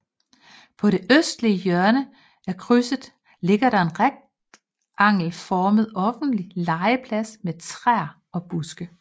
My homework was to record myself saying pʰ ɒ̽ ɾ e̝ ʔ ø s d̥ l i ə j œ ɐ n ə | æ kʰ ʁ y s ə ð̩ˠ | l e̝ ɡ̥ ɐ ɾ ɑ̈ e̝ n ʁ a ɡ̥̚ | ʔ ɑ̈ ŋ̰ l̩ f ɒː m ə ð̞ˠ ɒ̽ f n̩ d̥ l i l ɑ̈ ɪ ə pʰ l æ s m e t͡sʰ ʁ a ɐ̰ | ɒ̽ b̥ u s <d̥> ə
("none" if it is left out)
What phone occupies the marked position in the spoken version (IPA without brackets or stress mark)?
ɡ̥